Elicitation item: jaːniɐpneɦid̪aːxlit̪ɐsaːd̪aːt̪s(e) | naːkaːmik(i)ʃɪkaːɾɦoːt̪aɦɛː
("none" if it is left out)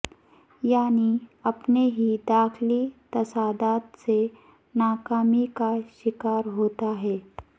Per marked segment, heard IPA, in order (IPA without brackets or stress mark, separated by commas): e, a